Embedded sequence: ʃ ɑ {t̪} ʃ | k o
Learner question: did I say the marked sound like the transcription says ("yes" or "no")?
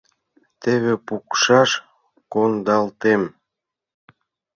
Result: no